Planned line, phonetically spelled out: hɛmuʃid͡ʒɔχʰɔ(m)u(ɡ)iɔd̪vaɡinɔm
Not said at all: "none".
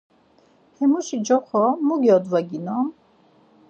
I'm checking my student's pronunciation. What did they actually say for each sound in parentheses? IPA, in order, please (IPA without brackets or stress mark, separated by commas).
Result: m, ɡ